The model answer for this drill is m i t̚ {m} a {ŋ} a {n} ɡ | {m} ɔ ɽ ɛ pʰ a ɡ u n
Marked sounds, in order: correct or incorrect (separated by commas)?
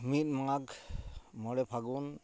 correct, correct, incorrect, correct